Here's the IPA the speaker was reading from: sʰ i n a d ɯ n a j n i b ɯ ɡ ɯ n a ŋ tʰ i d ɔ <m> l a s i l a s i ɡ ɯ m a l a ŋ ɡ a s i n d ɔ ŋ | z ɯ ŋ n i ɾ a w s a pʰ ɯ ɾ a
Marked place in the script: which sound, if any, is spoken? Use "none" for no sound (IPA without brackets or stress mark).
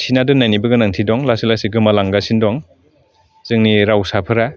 ŋ